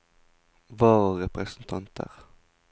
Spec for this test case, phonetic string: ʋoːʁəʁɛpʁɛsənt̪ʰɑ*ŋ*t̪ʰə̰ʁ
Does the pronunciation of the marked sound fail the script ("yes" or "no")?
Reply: yes